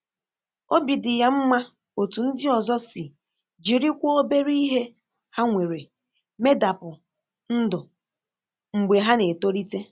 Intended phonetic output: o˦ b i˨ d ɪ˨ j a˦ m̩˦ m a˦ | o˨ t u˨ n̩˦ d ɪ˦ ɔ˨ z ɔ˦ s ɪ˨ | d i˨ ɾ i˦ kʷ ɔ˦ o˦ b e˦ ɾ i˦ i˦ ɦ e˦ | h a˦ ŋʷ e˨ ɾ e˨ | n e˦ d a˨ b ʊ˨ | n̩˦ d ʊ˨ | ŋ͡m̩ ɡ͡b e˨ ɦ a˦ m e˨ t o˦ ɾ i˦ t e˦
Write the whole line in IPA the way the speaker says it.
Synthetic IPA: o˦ b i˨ d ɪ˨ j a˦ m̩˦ m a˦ | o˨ t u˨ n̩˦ d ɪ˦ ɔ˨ z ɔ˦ s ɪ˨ | d͡ʒ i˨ ɾ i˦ kʷ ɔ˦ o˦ b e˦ ɾ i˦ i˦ ɦ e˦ | h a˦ ŋʷ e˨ ɾ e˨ | m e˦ d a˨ p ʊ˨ | n̩˦ d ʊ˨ | ŋ͡m̩ ɡ͡b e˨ ɦ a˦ n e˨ t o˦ ɾ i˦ t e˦

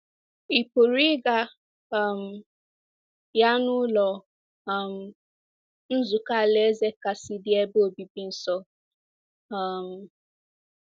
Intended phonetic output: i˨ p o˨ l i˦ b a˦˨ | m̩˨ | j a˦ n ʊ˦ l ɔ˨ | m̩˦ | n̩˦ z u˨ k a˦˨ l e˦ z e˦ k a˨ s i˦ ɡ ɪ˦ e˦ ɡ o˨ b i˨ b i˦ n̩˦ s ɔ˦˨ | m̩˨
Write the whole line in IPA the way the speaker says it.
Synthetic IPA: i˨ p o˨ ɾ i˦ ɡ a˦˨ | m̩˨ | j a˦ n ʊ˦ l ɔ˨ | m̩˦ | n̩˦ z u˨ k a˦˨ l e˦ z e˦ k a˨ s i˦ d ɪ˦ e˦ b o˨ b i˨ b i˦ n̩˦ s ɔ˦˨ | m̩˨

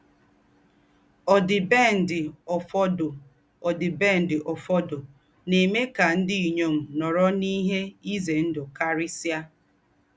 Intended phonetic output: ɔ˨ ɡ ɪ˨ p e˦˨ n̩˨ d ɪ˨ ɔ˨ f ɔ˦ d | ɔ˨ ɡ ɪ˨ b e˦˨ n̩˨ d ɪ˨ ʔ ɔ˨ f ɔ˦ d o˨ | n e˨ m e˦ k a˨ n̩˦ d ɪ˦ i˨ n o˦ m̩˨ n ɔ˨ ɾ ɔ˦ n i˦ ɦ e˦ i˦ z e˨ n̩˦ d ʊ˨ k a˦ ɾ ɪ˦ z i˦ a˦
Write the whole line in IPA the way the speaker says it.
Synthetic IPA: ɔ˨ d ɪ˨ b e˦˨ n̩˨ d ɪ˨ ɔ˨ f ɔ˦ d | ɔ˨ d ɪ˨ b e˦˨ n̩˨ d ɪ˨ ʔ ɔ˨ f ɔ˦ d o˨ | n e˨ m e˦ k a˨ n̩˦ d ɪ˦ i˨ ɲ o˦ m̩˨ n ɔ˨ ɾ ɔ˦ n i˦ ɦ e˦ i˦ z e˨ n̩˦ d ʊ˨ k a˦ ɾ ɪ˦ s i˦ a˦

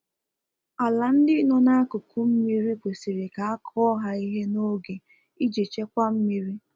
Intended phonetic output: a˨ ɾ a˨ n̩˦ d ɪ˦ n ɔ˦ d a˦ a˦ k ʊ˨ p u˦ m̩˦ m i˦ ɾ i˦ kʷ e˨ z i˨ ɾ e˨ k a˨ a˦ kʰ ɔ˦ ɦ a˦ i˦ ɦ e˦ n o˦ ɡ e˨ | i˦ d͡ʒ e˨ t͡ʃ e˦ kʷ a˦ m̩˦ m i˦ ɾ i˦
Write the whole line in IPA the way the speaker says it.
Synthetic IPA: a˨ l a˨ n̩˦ d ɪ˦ n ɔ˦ n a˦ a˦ k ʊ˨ k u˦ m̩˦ m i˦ ɾ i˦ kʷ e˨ s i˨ ɾ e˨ k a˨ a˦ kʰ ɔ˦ ɦ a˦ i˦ ɦ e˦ n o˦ ɡ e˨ | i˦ d͡ʒ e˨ t͡ʃ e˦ kʷ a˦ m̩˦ m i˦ ɾ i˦

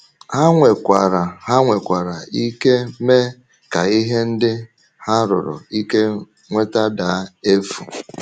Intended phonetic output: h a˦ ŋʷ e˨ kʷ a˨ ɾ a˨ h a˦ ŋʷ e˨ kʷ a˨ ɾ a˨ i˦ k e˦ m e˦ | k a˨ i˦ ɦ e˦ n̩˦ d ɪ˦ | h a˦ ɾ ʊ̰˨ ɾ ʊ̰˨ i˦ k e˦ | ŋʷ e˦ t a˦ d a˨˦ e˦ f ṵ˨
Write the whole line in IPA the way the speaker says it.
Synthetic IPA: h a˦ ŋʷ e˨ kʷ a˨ ɾ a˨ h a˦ ŋʷ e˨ kʷ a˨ ɾ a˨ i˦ k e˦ m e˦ | k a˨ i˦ ɦ e˦ n̩˦ d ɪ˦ | h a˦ ɾ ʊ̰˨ ɾ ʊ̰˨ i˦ k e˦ | ŋʷ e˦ t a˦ d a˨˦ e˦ f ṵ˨

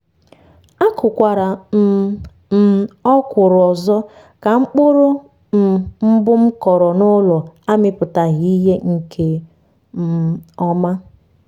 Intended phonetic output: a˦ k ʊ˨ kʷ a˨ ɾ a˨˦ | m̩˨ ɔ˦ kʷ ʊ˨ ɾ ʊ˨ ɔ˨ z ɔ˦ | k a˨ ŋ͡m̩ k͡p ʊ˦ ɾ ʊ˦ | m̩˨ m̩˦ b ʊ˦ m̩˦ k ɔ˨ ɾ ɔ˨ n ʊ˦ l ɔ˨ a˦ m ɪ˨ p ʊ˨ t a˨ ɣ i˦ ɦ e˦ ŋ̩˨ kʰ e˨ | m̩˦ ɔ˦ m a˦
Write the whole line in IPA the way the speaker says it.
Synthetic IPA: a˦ k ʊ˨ kʷ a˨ ɾ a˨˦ | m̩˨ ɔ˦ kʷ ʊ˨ ɾ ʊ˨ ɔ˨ z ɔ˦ | k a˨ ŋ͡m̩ k͡p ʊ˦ ɾ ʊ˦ | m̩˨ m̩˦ b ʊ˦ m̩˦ k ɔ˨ ɾ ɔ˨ n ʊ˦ l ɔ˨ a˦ m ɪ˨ p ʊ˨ t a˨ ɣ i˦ ɦ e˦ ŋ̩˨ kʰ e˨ | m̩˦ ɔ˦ m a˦

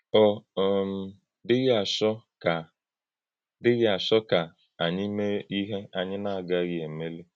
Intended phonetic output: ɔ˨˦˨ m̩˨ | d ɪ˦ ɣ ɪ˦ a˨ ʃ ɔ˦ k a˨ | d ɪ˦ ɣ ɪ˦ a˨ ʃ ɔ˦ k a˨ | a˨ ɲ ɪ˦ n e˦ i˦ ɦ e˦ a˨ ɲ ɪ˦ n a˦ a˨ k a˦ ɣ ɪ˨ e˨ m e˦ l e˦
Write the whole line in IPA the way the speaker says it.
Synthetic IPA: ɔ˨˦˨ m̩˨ | d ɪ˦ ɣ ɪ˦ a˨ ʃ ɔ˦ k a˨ | d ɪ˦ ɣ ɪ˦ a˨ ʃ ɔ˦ k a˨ | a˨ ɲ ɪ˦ m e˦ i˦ ɦ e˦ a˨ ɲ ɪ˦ n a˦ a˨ ɡ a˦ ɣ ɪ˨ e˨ m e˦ l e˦

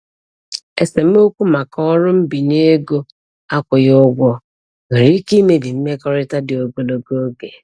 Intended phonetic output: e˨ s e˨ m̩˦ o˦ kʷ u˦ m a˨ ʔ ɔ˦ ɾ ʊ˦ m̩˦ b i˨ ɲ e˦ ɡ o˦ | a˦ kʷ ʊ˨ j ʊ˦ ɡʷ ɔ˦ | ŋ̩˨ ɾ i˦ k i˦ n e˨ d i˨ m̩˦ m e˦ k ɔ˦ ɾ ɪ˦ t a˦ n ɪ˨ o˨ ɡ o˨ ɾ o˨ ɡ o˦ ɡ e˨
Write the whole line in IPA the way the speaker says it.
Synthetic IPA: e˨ s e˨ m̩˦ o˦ kʷ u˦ m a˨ k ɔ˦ ɾ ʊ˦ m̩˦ b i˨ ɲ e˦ ɡ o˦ | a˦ kʷ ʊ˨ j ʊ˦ ɡʷ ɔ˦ | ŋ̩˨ ɾ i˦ k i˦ m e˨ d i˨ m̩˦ m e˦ k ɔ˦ ɾ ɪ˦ t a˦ d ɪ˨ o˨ ɡ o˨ l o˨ ɡ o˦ ɡ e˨

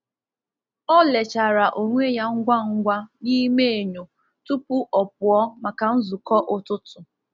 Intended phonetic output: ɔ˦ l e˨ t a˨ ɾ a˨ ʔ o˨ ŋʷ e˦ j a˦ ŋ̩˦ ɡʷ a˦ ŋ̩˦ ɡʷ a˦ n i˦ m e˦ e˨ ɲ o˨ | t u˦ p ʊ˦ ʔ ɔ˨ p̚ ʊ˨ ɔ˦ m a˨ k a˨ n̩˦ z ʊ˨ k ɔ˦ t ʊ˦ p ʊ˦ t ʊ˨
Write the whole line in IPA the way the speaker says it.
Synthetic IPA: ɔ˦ l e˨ t͡ʃ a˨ ɾ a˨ ʔ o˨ ŋʷ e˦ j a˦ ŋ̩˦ ɡʷ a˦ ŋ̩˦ ɡʷ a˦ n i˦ m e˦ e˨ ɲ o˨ | t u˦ p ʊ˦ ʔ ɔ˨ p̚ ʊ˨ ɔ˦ m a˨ k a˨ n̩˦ z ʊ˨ k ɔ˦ ʔ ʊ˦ t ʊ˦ t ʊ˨

